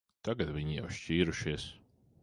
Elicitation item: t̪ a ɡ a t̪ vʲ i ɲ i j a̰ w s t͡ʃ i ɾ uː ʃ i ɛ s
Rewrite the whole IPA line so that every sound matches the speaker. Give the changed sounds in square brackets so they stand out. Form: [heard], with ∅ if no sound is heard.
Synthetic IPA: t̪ a ɡ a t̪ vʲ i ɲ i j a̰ w [ʃ] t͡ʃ [iː] ɾ [u] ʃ i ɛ s